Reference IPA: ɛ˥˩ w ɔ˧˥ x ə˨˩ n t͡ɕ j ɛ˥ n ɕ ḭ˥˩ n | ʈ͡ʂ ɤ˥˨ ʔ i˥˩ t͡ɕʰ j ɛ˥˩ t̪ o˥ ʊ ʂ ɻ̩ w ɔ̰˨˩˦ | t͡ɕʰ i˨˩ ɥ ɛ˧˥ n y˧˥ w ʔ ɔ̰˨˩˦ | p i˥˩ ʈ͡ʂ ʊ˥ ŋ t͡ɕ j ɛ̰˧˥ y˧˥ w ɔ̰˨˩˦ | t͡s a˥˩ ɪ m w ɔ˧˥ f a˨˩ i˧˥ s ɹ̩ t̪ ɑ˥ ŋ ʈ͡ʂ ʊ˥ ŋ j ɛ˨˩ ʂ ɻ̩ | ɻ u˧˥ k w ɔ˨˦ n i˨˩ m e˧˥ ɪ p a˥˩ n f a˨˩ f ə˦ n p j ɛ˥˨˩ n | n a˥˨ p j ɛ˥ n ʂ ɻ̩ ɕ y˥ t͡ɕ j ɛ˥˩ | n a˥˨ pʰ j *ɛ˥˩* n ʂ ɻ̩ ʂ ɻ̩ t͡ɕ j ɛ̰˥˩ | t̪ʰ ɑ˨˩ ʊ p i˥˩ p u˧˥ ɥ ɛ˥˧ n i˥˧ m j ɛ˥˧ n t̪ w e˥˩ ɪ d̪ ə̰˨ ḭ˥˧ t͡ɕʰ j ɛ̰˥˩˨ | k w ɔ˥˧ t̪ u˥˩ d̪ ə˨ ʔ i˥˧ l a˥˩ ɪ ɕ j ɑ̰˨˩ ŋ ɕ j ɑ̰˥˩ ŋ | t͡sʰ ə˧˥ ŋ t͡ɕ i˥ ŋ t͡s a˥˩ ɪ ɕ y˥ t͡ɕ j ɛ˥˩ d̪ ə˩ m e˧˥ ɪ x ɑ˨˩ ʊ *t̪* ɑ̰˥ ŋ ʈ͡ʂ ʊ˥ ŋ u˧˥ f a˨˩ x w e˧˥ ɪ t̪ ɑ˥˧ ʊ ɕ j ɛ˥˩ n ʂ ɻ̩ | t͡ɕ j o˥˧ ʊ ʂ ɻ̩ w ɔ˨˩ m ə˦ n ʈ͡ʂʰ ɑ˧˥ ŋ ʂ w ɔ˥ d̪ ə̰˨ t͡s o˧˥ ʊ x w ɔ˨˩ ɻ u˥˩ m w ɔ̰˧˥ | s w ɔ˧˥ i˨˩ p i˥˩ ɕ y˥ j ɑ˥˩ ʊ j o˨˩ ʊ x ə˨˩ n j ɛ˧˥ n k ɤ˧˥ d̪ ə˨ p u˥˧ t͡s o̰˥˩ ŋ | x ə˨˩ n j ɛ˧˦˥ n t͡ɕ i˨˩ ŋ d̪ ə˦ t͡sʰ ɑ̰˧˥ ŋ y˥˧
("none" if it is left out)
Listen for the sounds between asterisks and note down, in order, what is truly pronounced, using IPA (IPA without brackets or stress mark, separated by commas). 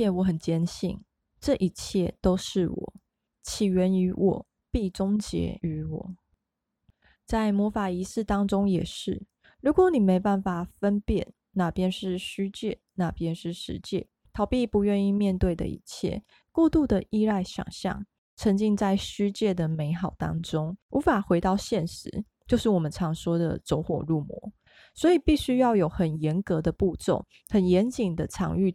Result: ɛ˥, t̪